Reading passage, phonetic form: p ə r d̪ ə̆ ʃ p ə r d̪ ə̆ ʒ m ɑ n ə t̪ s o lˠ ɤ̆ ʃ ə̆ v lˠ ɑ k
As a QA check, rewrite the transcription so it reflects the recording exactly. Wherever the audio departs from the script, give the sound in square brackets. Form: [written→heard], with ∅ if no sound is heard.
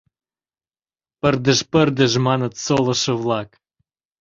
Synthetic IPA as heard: p ə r d̪ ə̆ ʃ p ə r d̪ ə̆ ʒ m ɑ n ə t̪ s o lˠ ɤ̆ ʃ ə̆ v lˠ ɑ k